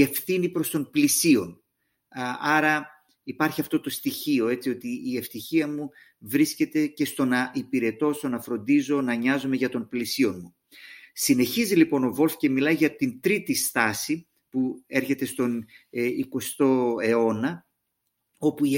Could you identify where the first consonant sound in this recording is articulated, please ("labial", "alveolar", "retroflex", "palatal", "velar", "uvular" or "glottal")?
labial